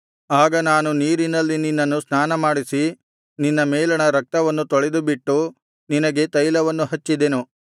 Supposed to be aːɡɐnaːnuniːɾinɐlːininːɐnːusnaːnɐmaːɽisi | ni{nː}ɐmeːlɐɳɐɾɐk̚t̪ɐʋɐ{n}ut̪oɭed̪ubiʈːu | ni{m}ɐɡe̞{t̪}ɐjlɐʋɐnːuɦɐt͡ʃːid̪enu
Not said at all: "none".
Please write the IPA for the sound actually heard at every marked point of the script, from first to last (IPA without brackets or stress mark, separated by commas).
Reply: nː, nː, n, t̪